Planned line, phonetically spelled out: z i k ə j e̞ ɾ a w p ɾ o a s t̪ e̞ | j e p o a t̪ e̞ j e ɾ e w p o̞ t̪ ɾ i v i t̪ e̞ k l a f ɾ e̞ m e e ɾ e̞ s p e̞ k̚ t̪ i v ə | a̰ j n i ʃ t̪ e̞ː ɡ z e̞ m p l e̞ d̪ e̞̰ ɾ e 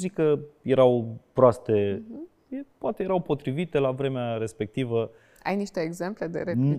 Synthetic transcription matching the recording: z i k ə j e̞ ɾ a w p ɾ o a s t̪ e̞ | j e p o a t̪ e̞ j e ɾ a w p o̞ t̪ ɾ i v i t̪ e̞ l a v ɾ e̞ m e a ɾ e̞ s p e̞ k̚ t̪ i v ə | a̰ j n i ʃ t̪ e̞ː ɡ z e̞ m p l e̞ d̪ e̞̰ ɾ e